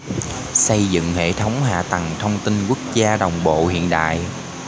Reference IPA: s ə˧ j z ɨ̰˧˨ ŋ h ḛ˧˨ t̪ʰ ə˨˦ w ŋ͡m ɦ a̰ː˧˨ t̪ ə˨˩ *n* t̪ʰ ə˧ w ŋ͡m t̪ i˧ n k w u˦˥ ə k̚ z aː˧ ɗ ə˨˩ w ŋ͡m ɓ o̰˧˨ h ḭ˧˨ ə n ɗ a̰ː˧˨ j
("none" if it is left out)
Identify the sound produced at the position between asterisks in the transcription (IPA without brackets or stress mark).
ŋ